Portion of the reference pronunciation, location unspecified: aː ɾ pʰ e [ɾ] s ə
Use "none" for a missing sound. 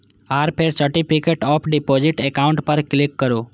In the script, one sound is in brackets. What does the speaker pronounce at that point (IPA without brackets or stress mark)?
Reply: ɾ